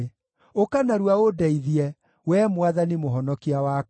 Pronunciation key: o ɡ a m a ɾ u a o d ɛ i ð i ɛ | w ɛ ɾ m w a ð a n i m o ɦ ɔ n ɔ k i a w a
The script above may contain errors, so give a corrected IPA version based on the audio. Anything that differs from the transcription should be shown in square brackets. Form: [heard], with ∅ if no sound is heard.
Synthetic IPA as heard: o [k] a [n] a ɾ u a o d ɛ i ð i ɛ | w ɛ [∅] m w a ð a n i m o ɦ ɔ n ɔ k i a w a

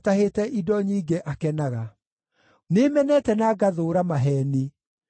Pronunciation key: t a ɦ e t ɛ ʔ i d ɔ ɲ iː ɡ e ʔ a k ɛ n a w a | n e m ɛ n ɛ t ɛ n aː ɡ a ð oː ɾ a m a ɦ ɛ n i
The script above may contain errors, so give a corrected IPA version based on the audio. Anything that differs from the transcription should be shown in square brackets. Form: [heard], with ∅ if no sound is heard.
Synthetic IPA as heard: t a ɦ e t ɛ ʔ i d ɔ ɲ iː ɡ e ʔ a k ɛ n a [ɣ] a | n e m ɛ n ɛ t ɛ n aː ɡ a ð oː ɾ a m a ɦ ɛ n i

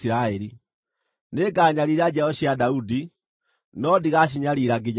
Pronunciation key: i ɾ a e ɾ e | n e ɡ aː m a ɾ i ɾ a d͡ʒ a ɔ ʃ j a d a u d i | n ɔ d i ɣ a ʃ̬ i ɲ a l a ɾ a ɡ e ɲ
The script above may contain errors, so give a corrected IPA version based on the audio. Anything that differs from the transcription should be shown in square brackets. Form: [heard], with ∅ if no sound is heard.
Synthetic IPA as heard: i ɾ a e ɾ [i] | n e ɡ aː [ɲ] a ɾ i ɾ a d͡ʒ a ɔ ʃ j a d a u d i | n ɔ d i ɣ a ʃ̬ i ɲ a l [i] ɾ a ɡ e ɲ

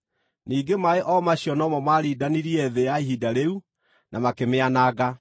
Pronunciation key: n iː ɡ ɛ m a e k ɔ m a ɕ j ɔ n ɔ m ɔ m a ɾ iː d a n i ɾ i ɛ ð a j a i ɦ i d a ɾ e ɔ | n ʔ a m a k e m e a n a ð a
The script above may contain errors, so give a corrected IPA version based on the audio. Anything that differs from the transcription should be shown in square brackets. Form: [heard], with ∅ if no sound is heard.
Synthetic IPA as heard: n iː ɡ [e] m a e [ʔ] ɔ m a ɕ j ɔ n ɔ m ɔ m a ɾ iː d a n i ɾ i ɛ ð [e] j a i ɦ i d a ɾ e [u] | n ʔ a m a k e m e a n a [ɣ] a

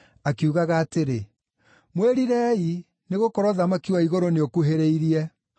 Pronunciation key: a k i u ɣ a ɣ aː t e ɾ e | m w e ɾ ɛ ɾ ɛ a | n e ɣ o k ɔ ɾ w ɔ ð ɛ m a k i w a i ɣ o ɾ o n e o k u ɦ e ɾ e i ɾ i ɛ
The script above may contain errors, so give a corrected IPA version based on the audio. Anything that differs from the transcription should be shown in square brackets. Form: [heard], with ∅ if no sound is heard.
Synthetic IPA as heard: a k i u ɣ a ɣ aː t e ɾ e | m w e ɾ [i] ɾ ɛ [i] | n e ɣ o k ɔ ɾ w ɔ ð [a] m a k i w a i ɣ o ɾ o n e o k u ɦ e ɾ e i ɾ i ɛ

